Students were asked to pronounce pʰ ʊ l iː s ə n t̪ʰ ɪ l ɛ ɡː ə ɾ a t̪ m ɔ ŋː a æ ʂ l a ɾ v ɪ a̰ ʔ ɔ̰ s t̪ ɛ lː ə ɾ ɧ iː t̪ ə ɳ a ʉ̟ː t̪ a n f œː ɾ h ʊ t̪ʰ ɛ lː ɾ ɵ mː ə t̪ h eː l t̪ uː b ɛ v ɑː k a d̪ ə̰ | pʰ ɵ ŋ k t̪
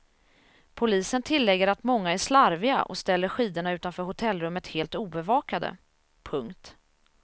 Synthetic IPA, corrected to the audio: pʰ ʊ l iː s ə n t̪ʰ ɪ lː ɛ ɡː ə ɾ a t̪ m ɔ ŋː a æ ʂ l a ɾ v ɪ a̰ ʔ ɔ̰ s t̪ ɛ lː ə ɾ ɧ iː d̪ ə ɳ a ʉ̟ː t̪ a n f œː ɾ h ʊ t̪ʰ ɛ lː ɾ ɵ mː ə t̪ h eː l t̪ uː b ɛ v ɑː k a d̪ ə̰ | pʰ ɵ ŋ k t̪

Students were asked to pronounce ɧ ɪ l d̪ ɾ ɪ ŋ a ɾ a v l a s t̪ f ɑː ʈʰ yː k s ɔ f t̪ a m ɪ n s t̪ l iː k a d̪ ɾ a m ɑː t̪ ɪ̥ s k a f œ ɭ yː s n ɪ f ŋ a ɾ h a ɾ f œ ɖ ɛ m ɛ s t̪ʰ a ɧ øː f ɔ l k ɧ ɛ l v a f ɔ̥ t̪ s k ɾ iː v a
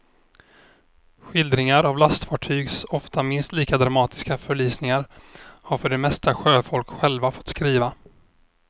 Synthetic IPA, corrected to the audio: ɧ ɪ l d̪ ɾ ɪ ŋ a ɾ a v l a s t̪ f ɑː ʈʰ yː ɡ s ɔ f t̪ a m ɪ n s t̪ l iː k a d̪ ɾ a m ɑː t̪ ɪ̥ s k a f œ ɭ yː s n ɪ ŋ a ɾ h a ɾ f œ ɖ ɛ m ɛ s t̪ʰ a ɧ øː f ɔ l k ɧ ɛ l v a f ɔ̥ t̪ s k ɾ iː v a

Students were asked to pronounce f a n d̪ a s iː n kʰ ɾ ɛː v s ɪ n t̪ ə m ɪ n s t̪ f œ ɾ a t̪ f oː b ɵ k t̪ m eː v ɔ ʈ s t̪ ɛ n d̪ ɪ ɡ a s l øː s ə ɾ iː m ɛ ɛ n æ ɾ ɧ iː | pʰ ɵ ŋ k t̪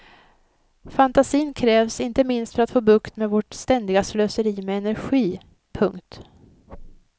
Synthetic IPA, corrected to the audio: f a n t̪ a s iː n kʰ ɾ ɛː v s ɪ n t̪ ə m ɪ n s t̪ f œ ɾ a t̪ f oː b ɵ k t̪ m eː v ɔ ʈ s t̪ ɛ n d̪ ɪ ɡ a s l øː s ə ɾ iː m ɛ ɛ n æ ɾ ɧ iː | pʰ ɵ ŋ k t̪

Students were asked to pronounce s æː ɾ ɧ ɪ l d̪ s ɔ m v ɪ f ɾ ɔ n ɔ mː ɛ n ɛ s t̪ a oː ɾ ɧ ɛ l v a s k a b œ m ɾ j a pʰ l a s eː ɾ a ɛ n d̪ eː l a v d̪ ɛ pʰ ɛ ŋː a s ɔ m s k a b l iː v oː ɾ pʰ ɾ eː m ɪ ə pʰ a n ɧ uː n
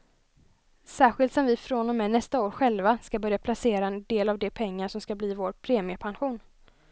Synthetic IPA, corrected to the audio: s æː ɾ ɧ ɪ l t̪ s ɔ m v ɪ f ɾ ɔ n ɔ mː ɛ n ɛ s t̪ a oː ɾ ɧ ɛ l v a s k a b œ ɾ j a pʰ l a s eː ɾ a ɛ n d̪ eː l a v d̪ ɛ pʰ ɛ ŋː a ʂ ɔ m s k a b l iː v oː ɾ pʰ ɾ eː m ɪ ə pʰ a n ɧ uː n

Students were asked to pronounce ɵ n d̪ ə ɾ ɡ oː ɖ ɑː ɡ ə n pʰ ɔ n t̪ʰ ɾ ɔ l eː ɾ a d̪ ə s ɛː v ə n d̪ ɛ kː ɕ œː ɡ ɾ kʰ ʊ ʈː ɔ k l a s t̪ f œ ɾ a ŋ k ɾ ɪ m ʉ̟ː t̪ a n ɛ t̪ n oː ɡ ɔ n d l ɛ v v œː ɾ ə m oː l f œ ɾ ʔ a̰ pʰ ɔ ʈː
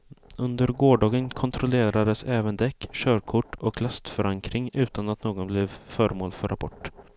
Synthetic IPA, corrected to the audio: ɵ n d̪ ə ɾ ɡ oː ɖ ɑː ɡ ə n kʰ ɔ n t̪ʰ ɾ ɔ l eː ɾ a d̪ ə s ɛː v ə n d̪ ɛ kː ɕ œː ɾ kʰ ʊ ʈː ɔ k l a s t̪ f œ ɾ a ŋ k ɾ ɪ ŋ ʉ̟ː t̪ a n a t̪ n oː ɡ ɔ n b l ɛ v f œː ɾ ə m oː l f œ ɾ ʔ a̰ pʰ ɔ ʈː

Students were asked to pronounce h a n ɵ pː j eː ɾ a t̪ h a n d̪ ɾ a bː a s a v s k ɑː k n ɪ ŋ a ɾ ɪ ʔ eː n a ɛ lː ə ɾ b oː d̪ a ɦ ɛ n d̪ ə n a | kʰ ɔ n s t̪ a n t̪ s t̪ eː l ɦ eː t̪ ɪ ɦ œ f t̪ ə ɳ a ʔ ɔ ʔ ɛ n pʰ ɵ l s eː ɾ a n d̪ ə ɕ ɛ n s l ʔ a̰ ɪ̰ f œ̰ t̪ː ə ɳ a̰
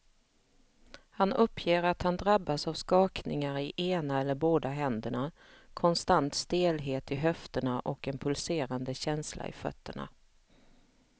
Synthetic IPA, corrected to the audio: h a n ɵ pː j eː ɾ a t̪ h a n d̪ ɾ a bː a s a v s k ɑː k n ɪ ŋ a ɾ ɪ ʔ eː n a ɛ lː ə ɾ b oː d̪ a ɦ ɛ n d̪ ə ɳ a | kʰ ɔ n s t̪ a n t̪ s t̪ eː l ɦ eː t̪ ɪ ɦ œ f t̪ ə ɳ a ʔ ɔ k ɛ n pʰ ɵ l s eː ɾ a n d̪ ə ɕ ɛ n s l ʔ a̰ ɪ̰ f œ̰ t̪ː ə ɳ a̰

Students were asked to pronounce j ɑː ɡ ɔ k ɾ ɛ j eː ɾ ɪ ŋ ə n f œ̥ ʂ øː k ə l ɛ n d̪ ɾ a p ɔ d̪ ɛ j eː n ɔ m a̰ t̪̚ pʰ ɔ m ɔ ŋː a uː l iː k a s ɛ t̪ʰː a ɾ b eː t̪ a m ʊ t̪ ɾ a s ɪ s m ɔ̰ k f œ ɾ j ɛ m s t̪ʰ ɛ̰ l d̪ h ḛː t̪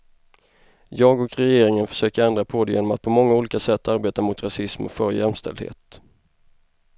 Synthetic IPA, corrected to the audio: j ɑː ɡ ɔ k ɾ ɛ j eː ɾ ɪ ŋ ə n f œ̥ ʂ øː k ə ɾ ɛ n d̪ ɾ a pʰ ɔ d̪ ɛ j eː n ɔ m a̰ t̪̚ pʰ ɔ m ɔ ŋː a uː l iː k a s ɛ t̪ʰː a ɾ b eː t̪ a m ʊ t̪ ɾ a s ɪ s m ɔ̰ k f œ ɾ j ɛ m s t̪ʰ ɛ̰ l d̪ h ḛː t̪

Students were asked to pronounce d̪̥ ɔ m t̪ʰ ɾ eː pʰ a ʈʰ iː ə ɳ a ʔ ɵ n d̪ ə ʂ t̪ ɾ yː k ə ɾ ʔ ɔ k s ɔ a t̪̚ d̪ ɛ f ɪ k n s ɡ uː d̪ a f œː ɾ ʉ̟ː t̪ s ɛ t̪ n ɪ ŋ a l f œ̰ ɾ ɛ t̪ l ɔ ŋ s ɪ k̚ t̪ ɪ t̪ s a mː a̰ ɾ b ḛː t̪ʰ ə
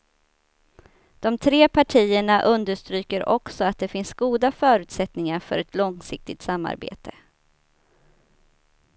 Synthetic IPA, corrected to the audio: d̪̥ ɔ m t̪ʰ ɾ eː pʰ a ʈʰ iː ə ɳ a ʔ ɵ n d̪ ə ʂ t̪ ɾ yː k ə ɾ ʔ ɔ k s ɔ a t̪̚ d̪ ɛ f ɪ n s ɡ uː d̪ a f œː ɾ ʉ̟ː t̪ s ɛ t̪ n ɪ ŋ a ɾ f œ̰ ɾ ɛ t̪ l ɔ ŋ s ɪ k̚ t̪ ɪ t̪ s a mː a̰ ɾ b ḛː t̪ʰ ə

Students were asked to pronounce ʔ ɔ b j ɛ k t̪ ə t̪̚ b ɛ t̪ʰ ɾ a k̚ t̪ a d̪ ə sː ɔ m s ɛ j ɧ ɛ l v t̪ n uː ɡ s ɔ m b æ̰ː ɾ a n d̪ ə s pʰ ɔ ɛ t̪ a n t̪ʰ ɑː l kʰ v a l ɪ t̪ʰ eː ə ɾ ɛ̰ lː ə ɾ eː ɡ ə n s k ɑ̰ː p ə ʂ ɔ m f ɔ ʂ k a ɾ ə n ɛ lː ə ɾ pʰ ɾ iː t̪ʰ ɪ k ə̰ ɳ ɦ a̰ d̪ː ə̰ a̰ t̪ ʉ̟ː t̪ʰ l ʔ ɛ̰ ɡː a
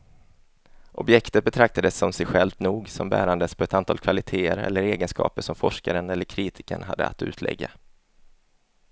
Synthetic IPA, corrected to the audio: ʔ ɔ b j ɛ k t̪ ə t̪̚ b ɛ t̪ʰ ɾ a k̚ t̪ a d̪ ə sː ɔ m s ɛ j ɧ ɛ l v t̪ n uː ɡ s ɔ m b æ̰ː ɾ a n d̪ ə s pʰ ɔ ɛ t̪ a n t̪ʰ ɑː l kʰ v a l ɪ t̪ʰ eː ə ɾ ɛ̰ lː ə ɾ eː ɡ ə n s k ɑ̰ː p ə ʂ ɔ m f ɔ ʂ k a ɾ ə n ɛ lː ə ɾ kʰ ɾ iː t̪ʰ ɪ k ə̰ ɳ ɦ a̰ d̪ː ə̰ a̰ t̪ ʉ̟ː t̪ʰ l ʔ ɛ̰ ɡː a

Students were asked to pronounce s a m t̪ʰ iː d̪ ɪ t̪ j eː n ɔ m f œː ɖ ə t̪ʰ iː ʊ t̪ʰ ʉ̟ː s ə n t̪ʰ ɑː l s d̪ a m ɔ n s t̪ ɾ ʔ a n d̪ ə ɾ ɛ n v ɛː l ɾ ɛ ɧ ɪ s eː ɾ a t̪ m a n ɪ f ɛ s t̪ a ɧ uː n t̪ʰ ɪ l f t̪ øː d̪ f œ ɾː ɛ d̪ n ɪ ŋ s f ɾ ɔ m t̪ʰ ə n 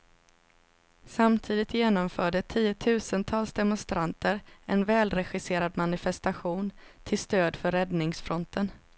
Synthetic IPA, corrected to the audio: s a m t̪ʰ iː d̪ ɪ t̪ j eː n ɔ m f œː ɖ ə t̪ʰ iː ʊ t̪ʰ ʉ̟ː s ə n t̪ʰ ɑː l s d̪ ɛ m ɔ n s t̪ ɾ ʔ a n t̪ ə ɾ ɛ n v ɛː l ɾ ɛ ɧ ɪ s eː ɾ a d̪ m a n ɪ f ɛ s t̪ a ɧ uː n t̪ʰ ɪ l s t̪ øː d̪ f œ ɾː ɛ d̪ n ɪ ŋ s f ɾ ɔ n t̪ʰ ə n

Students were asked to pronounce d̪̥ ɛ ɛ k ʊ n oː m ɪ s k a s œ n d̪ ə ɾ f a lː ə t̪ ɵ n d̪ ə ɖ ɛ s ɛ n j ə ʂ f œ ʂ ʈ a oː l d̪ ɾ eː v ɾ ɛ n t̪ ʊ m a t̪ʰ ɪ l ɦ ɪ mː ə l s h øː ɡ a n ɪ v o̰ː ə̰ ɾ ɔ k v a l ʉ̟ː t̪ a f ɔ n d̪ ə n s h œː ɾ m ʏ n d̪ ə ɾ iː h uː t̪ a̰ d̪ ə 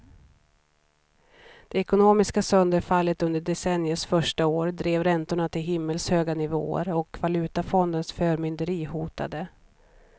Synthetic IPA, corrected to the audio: d̪̥ ɛ ɛ k ʊ n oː m ɪ s k a s œ n d̪ ə ɾ f a lː ə t̪ ɵ n d̪ ə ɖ ɛ s ɛ n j ə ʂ f œ ʂ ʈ a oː ɾ d̪ ɾ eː v ɾ ɛ n t̪ ʊ ɳ a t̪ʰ ɪ l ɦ ɪ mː ə l s h øː ɡ a n ɪ v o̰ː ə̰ ɾ ɔ k v a l ʉ̟ː t̪ a f ɔ n d̪ ə n s f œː ɾ m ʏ n d̪ ə ɾ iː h uː t̪ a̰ d̪ ə

